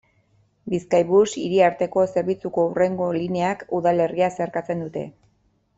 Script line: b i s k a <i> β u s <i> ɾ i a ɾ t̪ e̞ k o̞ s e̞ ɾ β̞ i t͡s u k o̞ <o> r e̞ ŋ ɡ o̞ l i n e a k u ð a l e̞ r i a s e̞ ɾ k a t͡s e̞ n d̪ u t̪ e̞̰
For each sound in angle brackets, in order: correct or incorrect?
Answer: incorrect, correct, incorrect

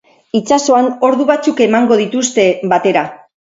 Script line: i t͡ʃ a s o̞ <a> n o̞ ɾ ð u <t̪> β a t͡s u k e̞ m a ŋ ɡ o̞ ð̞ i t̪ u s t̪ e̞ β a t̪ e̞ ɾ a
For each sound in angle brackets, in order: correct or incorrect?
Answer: correct, incorrect

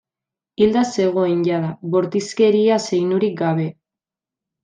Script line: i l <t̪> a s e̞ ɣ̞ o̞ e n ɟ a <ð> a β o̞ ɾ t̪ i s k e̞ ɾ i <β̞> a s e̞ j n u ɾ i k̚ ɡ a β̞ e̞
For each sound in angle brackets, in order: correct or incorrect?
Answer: incorrect, correct, incorrect

